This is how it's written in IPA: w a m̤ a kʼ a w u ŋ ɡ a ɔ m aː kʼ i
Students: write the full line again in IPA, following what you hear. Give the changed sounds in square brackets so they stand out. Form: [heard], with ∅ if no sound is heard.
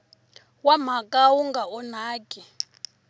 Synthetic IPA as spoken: w a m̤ a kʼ a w u ŋ ɡ a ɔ [n] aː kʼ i